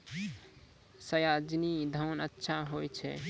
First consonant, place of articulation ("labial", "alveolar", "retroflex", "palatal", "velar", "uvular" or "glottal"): alveolar